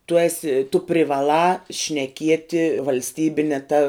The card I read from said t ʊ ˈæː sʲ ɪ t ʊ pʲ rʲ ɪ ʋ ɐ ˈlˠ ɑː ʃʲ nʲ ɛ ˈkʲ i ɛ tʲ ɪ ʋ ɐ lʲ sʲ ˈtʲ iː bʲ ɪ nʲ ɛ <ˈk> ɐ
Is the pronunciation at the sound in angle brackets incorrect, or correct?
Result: incorrect: t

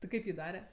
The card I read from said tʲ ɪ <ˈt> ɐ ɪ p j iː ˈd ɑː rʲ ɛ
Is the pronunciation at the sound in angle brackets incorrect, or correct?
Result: incorrect: k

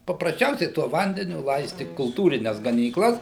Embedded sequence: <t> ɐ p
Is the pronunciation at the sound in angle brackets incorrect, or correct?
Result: incorrect: p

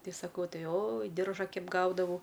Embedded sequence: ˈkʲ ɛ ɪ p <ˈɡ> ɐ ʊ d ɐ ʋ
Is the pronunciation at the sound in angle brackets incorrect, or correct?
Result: correct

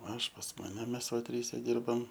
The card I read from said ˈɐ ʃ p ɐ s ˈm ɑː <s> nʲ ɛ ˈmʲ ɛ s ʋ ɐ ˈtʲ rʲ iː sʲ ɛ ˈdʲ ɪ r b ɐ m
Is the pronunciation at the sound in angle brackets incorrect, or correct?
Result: incorrect: none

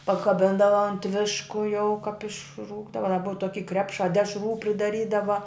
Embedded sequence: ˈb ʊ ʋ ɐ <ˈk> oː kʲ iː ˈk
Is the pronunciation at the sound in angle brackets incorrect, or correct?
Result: incorrect: t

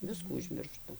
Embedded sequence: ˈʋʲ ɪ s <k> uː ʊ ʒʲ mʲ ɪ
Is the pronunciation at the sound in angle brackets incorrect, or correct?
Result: correct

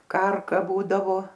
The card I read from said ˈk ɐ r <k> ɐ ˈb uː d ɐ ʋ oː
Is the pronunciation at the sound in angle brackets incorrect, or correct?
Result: correct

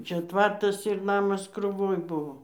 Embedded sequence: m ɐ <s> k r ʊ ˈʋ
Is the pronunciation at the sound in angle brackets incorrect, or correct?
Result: correct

